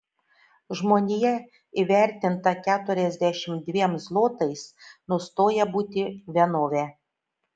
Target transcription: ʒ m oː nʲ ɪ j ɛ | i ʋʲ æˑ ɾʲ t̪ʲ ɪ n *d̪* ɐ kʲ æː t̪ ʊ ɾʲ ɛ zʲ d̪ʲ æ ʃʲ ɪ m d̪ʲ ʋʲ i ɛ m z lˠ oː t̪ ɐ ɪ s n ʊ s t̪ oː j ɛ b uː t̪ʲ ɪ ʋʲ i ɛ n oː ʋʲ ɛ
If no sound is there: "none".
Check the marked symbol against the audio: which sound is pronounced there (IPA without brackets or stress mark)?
t̪